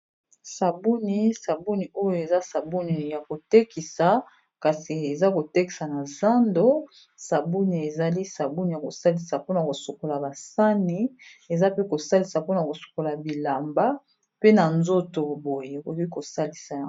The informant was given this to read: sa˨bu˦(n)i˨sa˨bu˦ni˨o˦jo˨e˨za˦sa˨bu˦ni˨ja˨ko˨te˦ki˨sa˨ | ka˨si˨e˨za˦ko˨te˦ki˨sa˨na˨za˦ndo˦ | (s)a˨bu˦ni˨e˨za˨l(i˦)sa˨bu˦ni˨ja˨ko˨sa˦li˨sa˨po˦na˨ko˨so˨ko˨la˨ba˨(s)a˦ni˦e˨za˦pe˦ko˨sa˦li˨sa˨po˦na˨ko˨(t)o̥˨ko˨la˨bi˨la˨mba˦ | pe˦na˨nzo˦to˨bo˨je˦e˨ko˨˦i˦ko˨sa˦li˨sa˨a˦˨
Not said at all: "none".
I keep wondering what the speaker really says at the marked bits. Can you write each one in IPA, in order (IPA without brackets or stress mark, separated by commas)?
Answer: n, s, i˦, s, s